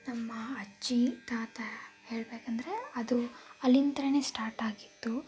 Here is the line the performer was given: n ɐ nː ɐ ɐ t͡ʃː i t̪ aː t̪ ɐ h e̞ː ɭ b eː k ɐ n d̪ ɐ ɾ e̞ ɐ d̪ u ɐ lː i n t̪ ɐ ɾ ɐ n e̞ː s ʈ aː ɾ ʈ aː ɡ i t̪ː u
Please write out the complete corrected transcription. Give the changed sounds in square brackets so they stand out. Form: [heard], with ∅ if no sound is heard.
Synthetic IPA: n ɐ [mː] ɐ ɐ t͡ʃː i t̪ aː t̪ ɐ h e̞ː ɭ b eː k ɐ n d̪ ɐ ɾ e̞ ɐ d̪ u ɐ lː i n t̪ ɐ ɾ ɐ n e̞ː s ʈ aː ɾ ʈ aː ɡ i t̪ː u